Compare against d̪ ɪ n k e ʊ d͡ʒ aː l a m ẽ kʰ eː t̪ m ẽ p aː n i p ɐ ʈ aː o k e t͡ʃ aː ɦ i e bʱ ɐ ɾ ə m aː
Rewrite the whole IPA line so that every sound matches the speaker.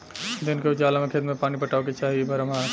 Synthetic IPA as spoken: d̪ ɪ n k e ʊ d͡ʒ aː l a m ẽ kʰ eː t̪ m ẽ p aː n i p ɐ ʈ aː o k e t͡ʃ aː ɦ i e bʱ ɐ ɾ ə m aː